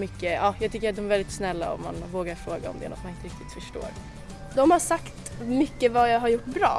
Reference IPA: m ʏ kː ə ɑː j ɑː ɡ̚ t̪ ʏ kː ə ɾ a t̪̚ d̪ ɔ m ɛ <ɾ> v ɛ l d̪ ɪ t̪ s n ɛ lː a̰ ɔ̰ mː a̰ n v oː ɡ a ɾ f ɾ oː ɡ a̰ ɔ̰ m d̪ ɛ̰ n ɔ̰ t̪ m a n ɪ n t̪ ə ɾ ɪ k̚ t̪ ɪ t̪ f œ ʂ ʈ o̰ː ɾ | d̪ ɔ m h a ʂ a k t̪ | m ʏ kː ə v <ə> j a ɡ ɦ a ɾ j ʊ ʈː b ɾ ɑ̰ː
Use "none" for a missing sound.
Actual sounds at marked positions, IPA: ɾ, a

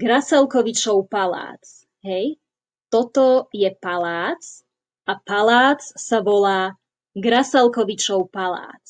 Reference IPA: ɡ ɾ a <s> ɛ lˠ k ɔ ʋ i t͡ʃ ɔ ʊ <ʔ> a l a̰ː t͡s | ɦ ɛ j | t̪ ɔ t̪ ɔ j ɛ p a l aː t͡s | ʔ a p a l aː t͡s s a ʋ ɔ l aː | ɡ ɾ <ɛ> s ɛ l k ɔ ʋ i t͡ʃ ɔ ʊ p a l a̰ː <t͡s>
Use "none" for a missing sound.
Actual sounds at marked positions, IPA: s, p, a, t͡s

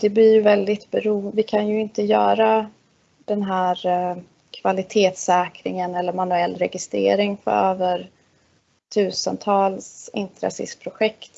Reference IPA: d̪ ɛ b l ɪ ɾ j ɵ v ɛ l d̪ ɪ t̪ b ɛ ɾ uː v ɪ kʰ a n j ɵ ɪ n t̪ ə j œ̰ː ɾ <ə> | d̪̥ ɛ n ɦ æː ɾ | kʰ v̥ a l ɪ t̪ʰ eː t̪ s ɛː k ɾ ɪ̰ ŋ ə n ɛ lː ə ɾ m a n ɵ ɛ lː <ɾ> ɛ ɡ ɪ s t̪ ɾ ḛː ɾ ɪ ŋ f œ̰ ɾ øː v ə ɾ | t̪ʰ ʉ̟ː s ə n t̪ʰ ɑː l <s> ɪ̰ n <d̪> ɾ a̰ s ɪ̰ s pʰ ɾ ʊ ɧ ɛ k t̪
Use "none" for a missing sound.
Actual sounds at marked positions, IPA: a, ɾ, s, t̪

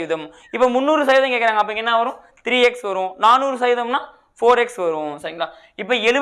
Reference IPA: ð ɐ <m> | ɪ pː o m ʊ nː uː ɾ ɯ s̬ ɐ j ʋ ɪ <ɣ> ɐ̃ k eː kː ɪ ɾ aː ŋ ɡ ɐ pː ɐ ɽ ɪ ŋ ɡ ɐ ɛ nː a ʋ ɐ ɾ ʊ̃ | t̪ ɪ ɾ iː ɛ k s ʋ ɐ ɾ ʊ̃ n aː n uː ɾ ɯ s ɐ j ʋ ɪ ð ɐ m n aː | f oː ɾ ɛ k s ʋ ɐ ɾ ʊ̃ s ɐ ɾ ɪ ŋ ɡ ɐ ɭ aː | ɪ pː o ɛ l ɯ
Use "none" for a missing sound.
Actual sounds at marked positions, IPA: m, ð

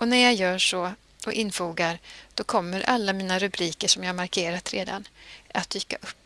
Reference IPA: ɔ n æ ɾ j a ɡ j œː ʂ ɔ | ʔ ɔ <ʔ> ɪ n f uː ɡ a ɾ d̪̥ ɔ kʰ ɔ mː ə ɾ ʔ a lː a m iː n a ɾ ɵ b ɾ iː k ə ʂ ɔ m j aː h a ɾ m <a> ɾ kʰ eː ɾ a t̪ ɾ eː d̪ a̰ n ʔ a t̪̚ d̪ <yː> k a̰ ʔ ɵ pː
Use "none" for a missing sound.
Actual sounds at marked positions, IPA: ʔ, a, yː

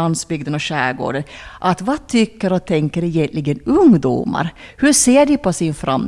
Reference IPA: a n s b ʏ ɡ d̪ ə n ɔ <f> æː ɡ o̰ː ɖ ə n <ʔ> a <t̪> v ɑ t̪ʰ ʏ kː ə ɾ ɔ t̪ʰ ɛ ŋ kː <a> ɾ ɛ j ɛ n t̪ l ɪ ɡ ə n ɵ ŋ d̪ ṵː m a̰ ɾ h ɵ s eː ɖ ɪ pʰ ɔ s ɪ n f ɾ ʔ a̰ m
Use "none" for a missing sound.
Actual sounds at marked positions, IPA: ɕ, ʔ, t̪, ə

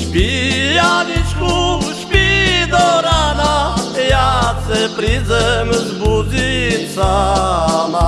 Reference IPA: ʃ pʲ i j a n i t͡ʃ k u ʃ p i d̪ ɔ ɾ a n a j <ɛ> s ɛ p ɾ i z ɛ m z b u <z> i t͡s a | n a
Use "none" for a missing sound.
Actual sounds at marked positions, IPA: a, z

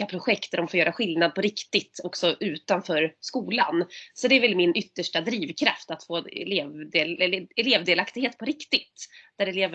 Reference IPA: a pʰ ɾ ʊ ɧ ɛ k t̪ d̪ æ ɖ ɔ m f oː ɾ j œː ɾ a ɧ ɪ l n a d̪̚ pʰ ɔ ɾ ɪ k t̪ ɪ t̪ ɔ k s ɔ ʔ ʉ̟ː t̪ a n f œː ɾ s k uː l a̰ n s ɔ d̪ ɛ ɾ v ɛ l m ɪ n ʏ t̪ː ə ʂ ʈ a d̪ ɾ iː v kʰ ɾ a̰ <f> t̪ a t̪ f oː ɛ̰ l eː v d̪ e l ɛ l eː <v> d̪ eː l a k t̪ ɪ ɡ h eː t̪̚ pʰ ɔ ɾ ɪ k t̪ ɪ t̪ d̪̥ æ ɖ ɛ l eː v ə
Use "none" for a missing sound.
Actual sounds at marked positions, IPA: f, v

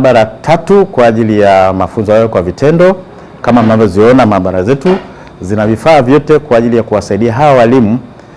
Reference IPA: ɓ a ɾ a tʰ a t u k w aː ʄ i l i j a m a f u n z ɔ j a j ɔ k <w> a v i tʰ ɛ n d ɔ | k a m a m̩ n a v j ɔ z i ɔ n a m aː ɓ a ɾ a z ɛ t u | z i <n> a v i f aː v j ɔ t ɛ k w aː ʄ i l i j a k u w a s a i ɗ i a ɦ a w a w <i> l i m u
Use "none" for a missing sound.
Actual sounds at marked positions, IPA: w, n, a

